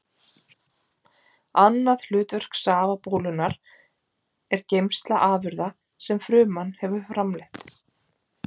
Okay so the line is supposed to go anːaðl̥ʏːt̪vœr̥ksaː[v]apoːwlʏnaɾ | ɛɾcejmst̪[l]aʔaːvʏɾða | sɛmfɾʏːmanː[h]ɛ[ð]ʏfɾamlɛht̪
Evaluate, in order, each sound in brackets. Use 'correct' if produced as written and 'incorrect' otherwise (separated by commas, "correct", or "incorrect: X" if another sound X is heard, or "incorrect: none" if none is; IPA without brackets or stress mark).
correct, correct, correct, incorrect: v